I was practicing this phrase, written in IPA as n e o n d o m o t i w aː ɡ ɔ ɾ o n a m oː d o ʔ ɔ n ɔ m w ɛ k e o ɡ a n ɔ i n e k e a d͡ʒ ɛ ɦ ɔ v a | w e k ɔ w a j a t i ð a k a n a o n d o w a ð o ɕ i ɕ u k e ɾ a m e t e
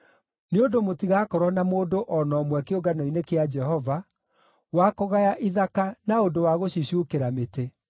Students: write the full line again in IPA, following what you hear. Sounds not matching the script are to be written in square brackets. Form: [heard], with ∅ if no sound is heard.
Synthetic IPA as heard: n e o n d o m o t i [ɣ] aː [k] ɔ ɾ [ɔ] n a m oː d o ʔ ɔ n ɔ m w ɛ k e o ɡ a n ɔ i n e k e a d͡ʒ ɛ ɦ ɔ v a | w [a] k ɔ [ɣ] a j a [ʔ] i ð a k a n a o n d o w a [ɣ] o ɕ i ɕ u k e ɾ a m e t e